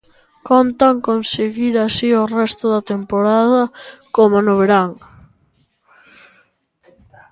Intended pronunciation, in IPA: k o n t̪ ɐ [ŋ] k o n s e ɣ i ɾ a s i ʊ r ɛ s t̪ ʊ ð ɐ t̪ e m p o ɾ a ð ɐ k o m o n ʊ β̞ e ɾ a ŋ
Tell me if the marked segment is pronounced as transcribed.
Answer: yes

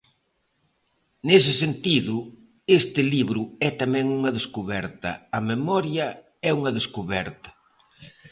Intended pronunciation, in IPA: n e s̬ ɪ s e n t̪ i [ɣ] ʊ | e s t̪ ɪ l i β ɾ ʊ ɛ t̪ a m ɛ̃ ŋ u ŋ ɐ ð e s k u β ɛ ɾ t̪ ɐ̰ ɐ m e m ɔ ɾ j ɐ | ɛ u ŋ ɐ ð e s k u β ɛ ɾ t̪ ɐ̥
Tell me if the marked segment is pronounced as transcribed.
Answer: no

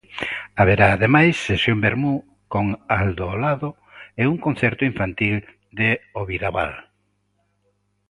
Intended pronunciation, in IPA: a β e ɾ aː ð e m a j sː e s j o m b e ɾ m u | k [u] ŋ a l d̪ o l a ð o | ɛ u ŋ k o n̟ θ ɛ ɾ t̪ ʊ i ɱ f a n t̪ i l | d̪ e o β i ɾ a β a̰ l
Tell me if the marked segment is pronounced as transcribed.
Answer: no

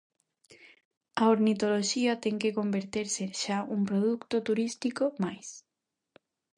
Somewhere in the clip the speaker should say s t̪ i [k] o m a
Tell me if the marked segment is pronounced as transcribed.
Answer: yes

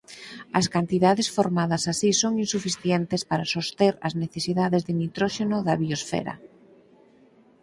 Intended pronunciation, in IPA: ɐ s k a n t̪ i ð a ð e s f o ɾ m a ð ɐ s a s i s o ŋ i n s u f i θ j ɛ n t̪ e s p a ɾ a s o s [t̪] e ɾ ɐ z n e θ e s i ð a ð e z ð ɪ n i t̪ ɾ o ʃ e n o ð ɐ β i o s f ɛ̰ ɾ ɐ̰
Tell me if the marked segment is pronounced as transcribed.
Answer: yes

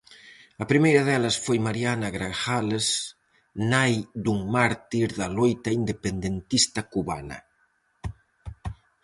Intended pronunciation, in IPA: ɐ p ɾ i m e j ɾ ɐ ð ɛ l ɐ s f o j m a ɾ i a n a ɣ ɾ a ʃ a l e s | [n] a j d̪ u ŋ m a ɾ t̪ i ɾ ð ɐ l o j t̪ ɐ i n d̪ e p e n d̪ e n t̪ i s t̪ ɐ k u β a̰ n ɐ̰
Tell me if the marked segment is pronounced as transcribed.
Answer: yes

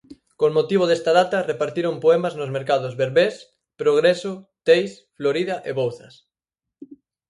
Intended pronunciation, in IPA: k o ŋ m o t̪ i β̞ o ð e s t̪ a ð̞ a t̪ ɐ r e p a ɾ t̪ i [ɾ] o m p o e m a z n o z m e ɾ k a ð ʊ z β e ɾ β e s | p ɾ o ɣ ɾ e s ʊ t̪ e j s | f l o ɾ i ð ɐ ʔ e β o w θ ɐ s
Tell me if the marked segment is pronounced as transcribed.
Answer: yes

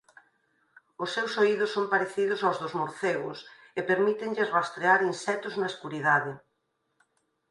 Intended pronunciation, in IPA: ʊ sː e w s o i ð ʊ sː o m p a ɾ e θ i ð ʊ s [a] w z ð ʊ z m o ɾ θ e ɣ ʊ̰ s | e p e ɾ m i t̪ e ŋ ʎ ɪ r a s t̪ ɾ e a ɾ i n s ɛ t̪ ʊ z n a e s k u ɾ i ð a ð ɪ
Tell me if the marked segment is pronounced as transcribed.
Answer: yes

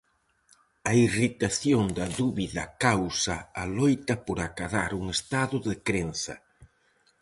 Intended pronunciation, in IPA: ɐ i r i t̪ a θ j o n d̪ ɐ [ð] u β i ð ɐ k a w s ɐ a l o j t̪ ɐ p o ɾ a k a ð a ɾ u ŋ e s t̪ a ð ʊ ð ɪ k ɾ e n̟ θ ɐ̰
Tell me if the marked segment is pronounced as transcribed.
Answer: yes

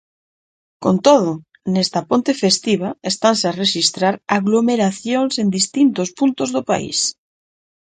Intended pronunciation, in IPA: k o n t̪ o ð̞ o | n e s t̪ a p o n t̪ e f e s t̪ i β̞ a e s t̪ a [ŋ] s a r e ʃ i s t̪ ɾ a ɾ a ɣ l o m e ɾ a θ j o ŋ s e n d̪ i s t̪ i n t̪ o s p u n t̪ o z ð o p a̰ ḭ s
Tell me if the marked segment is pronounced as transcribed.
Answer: no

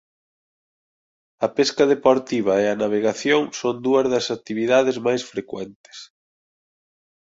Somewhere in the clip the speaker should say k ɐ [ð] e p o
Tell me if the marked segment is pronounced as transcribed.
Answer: yes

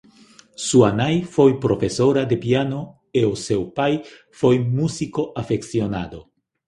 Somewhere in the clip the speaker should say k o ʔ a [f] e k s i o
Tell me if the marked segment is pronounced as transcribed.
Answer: yes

